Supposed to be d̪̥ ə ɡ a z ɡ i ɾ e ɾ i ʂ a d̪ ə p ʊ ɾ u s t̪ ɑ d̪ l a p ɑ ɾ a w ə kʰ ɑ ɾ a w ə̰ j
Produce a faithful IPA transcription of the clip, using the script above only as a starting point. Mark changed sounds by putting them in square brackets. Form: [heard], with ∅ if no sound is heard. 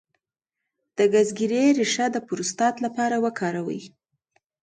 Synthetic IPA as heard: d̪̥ ə ɡ a z ɡ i ɾ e ɾ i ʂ a d̪ ə p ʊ ɾ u s t̪ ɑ [t̪] l a p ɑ ɾ a w ə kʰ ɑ ɾ a w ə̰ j

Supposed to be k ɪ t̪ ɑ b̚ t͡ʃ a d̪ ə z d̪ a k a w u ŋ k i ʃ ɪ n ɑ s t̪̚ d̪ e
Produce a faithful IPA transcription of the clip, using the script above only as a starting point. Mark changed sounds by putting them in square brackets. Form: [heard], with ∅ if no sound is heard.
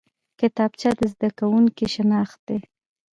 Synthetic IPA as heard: k ɪ t̪ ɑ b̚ t͡ʃ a d̪ ə z d̪ a k a w u ŋ k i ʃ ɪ n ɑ [x] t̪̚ d̪ e

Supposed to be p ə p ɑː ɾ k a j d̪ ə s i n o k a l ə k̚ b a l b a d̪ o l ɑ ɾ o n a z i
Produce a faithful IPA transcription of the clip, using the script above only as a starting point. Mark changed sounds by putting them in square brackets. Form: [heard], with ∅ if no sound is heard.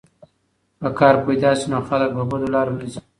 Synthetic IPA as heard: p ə [k] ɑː ɾ [p] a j d̪ [ɑ] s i n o [x] a l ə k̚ b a [∅] b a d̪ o l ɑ ɾ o n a z i

